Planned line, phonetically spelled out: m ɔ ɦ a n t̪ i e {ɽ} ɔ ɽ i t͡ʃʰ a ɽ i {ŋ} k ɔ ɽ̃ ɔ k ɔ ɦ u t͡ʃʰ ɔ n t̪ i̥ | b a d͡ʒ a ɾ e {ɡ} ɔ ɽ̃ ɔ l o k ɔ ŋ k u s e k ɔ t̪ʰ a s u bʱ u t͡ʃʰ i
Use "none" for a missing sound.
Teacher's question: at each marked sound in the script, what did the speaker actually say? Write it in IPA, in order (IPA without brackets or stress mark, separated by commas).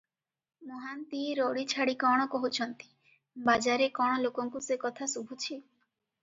ɾ, none, k